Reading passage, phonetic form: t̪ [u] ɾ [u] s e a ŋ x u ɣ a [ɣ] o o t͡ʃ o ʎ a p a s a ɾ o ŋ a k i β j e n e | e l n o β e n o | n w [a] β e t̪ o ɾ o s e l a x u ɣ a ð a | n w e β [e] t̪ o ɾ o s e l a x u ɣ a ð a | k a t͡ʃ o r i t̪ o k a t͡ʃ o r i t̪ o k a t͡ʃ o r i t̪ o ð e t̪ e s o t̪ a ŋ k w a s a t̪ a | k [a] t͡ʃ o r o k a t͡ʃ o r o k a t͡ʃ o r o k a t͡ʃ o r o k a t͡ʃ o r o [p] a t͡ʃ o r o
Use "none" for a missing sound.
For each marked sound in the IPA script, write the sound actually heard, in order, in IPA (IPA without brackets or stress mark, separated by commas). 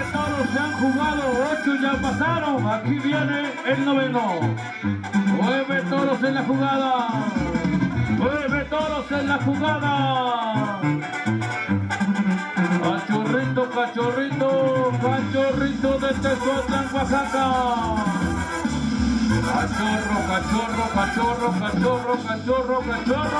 o, o, ð, e, e, a, k